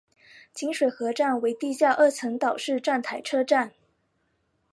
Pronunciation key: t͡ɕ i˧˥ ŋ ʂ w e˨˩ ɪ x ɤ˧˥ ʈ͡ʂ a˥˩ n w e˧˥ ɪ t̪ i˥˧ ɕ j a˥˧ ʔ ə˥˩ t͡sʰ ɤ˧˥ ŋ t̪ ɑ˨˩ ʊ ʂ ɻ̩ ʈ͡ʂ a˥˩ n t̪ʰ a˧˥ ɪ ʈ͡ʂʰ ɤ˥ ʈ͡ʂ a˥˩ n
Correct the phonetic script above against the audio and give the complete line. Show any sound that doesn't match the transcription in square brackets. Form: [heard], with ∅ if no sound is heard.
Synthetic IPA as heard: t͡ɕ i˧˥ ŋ ʂ w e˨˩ ɪ x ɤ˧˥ ʈ͡ʂ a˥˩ n w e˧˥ ɪ t̪ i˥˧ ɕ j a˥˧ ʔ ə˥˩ t͡sʰ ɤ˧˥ ŋ t̪ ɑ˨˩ ʊ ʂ ɻ̩ ʈ͡ʂ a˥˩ n t̪ʰ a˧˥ ɪ ʈ͡ʂʰ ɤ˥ ʈ͡ʂ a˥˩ n